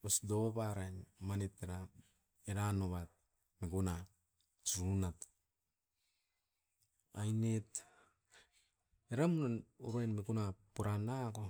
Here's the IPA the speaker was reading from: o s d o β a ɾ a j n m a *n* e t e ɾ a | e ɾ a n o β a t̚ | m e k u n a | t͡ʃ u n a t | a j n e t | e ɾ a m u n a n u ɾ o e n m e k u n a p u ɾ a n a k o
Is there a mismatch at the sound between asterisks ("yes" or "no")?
no